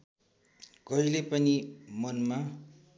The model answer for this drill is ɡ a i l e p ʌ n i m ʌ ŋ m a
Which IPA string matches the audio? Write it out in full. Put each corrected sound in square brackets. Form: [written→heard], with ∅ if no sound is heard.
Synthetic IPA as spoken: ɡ [a→ʌ] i l e p ʌ n i m ʌ [ŋ→n] m a